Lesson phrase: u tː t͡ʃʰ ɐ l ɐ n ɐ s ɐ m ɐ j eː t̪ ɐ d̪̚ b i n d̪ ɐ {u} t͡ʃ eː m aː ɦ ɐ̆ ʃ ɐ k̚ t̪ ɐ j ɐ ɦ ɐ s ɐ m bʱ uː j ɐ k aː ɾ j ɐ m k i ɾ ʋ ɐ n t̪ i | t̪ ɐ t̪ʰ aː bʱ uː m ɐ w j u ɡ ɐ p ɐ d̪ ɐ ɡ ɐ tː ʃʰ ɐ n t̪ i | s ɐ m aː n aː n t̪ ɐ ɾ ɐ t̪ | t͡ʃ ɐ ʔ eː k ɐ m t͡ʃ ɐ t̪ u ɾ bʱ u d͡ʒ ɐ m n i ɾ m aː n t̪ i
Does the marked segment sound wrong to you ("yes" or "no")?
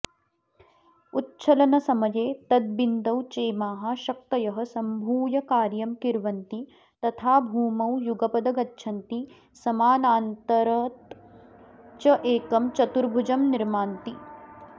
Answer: yes